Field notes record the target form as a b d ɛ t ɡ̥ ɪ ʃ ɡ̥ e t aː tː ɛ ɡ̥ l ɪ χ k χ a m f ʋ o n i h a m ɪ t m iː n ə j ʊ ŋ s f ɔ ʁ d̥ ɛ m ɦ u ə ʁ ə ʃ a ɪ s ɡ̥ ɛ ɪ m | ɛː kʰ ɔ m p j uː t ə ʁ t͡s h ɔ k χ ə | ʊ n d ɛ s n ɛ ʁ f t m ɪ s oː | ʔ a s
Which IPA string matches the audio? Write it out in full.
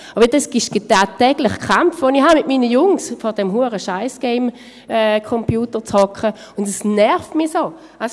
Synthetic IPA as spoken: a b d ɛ s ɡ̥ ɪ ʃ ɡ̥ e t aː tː ɛ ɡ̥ l ɪ χ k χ a m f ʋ o n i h a m ɪ t m iː n ə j ʊ ŋ s f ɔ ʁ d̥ ɛ m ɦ u ə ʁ ə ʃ a ɪ s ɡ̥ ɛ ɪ m | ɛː kʰ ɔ m p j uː t ə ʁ t͡s h ɔ k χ ə | ʊ n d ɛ s n ɛ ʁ f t m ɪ s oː | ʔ a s